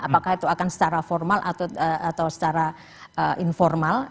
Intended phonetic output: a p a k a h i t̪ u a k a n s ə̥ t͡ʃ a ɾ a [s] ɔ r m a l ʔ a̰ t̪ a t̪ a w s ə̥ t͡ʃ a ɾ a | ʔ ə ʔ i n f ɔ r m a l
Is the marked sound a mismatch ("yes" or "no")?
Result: yes